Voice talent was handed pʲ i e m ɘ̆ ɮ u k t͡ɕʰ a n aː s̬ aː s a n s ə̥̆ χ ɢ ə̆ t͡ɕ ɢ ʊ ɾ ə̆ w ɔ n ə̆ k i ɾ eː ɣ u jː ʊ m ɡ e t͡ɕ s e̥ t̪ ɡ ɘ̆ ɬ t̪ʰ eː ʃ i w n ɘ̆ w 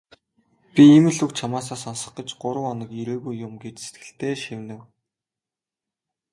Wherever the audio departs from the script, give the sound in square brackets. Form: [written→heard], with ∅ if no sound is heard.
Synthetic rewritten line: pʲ i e m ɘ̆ ɮ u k t͡ɕʰ a [n→m] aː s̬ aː s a n s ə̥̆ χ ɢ ə̆ t͡ɕ ɢ ʊ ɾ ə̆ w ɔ n ə̆ k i ɾ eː ɣ u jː ʊ m ɡ e t͡ɕ s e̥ t̪ ɡ ɘ̆ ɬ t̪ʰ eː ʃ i w n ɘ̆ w